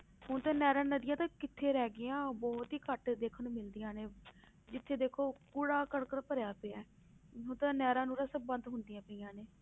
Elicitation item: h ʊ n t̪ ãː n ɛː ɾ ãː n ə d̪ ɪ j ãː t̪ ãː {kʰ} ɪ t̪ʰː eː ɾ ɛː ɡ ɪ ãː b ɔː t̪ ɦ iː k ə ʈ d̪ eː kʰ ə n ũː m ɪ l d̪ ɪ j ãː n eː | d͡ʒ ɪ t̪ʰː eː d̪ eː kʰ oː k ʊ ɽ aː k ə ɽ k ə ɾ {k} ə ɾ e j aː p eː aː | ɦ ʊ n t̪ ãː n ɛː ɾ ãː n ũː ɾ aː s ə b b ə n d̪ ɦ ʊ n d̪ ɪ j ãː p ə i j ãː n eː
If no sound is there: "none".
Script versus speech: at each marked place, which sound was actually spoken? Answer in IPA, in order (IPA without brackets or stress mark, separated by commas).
k, p